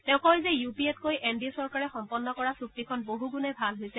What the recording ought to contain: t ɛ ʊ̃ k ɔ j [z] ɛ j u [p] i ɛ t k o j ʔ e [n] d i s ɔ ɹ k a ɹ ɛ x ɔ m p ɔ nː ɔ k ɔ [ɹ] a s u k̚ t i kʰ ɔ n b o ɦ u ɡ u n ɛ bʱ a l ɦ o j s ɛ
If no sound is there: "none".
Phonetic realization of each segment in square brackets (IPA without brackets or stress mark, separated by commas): z, p, n, ɹ